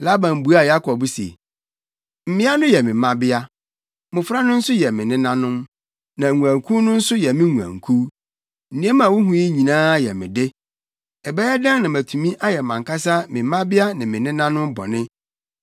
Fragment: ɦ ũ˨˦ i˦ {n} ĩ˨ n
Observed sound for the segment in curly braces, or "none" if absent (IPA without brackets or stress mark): ɲ